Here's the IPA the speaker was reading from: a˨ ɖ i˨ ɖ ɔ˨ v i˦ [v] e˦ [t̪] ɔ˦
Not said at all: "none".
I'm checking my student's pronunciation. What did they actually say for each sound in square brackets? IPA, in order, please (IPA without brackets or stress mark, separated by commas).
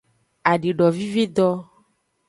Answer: v, d̪